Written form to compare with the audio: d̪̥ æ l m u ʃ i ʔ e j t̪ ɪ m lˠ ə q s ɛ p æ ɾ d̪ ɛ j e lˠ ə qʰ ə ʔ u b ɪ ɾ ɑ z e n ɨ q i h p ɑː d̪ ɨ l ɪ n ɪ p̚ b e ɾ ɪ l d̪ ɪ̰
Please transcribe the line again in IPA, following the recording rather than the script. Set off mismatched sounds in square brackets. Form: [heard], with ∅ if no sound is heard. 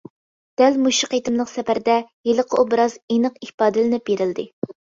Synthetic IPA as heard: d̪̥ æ l m u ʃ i [q] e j t̪ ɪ m lˠ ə q s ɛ p æ ɾ d̪ ɛ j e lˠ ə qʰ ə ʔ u b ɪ ɾ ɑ z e n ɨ q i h p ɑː d̪ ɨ l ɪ n ɪ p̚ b e ɾ ɪ l d̪ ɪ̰